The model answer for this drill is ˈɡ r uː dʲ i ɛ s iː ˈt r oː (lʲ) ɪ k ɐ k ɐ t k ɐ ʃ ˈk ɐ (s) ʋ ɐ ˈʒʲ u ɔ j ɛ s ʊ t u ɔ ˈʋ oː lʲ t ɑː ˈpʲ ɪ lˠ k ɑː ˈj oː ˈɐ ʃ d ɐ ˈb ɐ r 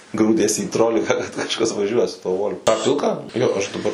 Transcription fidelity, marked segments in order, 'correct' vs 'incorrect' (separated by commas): correct, correct